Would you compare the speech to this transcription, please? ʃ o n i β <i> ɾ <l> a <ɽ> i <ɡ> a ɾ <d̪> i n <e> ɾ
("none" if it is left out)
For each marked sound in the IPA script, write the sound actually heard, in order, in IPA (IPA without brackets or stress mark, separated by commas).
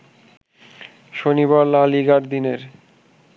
a, l, l, ɡ, d̪, e